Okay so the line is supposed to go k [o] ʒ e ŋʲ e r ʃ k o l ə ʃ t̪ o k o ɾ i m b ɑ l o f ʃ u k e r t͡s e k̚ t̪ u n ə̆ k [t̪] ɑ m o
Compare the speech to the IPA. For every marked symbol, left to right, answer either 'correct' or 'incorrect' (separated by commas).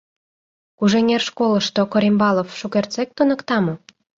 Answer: incorrect, correct